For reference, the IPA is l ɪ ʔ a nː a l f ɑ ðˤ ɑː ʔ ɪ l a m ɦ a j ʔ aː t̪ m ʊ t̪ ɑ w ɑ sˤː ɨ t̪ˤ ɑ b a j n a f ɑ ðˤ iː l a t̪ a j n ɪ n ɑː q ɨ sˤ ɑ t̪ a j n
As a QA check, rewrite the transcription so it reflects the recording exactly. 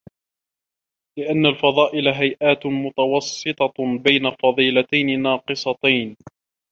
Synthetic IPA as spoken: l ɪ ʔ a nː a l f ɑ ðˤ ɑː ʔ ɪ l a ɦ a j ʔ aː t̪ m ʊ t̪ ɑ w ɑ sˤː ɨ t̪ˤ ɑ b a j n a f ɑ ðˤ iː l a t̪ a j n ɪ n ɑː q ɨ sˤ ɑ t̪ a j n